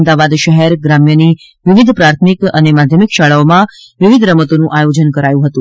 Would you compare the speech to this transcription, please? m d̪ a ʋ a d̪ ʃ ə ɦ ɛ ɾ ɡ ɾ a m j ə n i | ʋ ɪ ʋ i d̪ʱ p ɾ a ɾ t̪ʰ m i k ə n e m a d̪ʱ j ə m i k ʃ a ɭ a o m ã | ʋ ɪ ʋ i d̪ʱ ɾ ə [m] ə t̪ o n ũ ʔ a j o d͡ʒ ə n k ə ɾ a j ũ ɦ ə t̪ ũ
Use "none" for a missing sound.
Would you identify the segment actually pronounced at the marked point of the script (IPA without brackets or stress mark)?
m